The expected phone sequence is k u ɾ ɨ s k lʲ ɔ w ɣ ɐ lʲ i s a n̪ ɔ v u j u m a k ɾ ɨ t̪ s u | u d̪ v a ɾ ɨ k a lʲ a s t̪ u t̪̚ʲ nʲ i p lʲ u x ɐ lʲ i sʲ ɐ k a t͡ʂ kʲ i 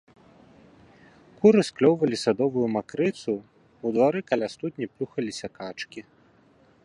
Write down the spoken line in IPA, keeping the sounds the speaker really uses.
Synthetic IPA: k u ɾ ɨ s k lʲ ɔ w v ɐ lʲ i s a d̪ ɔ v u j u m a k ɾ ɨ t̪ s u | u d̪ v a ɾ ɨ k a lʲ a s t̪ u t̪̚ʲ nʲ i p lʲ u x ɐ lʲ i sʲ ɐ k a t͡ʂ kʲ i

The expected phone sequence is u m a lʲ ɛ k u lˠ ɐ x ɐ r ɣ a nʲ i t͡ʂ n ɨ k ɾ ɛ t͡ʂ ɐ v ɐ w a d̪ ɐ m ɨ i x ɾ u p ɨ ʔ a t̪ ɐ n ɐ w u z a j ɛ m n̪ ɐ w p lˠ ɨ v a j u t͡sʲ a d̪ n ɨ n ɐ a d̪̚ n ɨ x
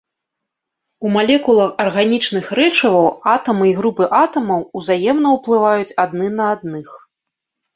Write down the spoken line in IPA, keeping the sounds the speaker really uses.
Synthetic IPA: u m a lʲ ɛ k u lˠ ɐ x ɐ r ɣ a nʲ i t͡ʂ n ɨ x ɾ ɛ t͡ʂ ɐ v ɐ w a t̪ ɐ m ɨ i ɣ ɾ u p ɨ ʔ a t̪ ɐ m ɐ w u z a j ɛ m n̪ ɐ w p lˠ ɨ v a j u t͡sʲ a d̪ n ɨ n ɐ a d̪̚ n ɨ x

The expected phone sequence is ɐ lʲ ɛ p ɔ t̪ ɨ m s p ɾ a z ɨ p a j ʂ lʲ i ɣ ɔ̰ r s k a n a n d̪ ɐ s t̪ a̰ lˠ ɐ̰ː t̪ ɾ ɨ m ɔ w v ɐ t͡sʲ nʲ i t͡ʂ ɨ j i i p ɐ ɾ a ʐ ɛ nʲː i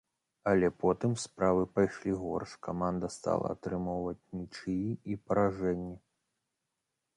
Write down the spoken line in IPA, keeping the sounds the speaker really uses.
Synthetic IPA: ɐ lʲ ɛ p ɔ t̪ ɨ m s p ɾ a v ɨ p a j ʂ lʲ i ɣ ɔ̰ r ʂ k a m a n d̪ ɐ s t̪ a̰ lˠ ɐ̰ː t̪ ɾ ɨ m ɔ w v ɐ t͡sʲ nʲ i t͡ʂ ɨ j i i p ɐ ɾ a ʐ ɛ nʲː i

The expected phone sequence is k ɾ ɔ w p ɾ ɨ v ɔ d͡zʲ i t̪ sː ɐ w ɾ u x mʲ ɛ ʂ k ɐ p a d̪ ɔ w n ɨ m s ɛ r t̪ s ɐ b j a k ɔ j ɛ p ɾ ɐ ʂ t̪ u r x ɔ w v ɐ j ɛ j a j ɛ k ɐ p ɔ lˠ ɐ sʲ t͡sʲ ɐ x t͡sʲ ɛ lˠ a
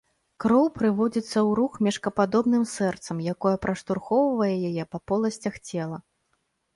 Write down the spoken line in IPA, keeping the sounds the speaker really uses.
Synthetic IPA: k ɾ ɔ w p ɾ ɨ v ɔ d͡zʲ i t̪ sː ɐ w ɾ u x mʲ ɛ ʂ k ɐ p a d̪ ɔ b n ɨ m s ɛ r t̪ s ɐ m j a k ɔ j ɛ p ɾ ɐ ʂ t̪ u r x ɔ w v ɐ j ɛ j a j ɛ p ɐ p ɔ lˠ ɐ sʲ t͡sʲ ɐ x t͡sʲ ɛ lˠ ɐ

